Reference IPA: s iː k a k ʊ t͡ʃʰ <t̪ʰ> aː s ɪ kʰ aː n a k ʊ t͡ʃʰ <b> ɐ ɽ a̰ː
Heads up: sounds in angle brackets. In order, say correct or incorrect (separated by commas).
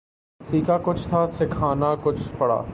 correct, incorrect